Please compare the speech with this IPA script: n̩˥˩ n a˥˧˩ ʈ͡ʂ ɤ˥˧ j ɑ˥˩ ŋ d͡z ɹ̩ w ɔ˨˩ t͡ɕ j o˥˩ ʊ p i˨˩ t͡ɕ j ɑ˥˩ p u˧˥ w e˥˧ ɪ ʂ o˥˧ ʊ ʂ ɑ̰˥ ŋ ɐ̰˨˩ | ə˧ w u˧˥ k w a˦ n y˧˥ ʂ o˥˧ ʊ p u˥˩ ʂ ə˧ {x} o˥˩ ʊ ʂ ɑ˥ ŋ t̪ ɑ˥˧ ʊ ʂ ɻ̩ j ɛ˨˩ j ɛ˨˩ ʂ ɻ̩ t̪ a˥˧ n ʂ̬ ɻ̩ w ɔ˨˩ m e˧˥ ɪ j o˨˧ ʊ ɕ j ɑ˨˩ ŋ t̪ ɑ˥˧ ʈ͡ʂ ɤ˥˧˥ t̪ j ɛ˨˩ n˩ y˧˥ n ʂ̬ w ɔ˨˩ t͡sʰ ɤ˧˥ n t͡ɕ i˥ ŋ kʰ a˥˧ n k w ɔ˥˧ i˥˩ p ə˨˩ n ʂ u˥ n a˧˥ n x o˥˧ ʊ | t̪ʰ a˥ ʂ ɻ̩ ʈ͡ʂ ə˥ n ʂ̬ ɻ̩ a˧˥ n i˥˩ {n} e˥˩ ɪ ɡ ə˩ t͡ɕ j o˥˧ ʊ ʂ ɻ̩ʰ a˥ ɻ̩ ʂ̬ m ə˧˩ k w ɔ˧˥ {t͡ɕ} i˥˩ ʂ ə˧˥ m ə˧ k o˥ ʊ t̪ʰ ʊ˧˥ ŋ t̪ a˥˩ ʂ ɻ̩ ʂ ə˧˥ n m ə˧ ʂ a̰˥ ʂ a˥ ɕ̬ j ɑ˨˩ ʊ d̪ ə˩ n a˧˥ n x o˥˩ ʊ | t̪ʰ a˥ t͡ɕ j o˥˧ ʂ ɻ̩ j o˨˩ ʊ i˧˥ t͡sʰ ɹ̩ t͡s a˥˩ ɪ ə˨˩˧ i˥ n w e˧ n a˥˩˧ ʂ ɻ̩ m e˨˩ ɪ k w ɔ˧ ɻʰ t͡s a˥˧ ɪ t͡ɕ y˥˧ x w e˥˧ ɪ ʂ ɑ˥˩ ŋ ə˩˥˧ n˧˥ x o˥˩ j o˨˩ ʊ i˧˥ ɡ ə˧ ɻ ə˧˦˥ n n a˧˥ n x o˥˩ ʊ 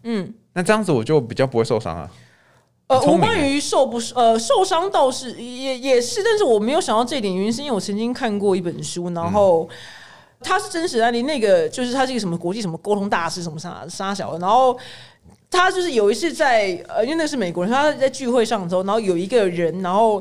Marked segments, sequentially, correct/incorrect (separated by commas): incorrect, correct, correct